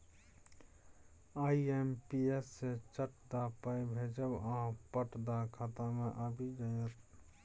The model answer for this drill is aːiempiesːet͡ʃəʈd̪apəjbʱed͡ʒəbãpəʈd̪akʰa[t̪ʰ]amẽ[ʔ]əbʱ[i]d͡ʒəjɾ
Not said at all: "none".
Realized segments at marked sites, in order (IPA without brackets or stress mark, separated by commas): t̪, ʔ, i